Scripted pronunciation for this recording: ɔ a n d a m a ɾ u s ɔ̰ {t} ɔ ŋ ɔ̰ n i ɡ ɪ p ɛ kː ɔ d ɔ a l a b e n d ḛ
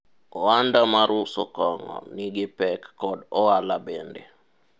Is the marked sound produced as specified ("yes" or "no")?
no